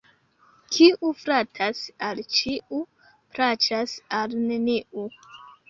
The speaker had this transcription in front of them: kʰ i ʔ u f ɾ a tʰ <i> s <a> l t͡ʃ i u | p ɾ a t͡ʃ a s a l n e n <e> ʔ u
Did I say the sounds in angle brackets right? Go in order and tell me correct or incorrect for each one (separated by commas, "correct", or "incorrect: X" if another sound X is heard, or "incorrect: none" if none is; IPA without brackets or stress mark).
incorrect: a, correct, incorrect: i